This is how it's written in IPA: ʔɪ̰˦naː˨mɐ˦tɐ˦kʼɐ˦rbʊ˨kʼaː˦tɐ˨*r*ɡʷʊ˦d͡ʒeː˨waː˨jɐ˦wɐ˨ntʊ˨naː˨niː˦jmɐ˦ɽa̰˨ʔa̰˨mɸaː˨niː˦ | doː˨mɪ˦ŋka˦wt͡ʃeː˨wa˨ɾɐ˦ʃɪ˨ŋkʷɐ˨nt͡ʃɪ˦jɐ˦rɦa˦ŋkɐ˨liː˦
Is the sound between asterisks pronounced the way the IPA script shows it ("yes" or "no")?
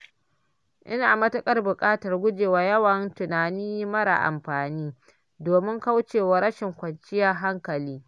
yes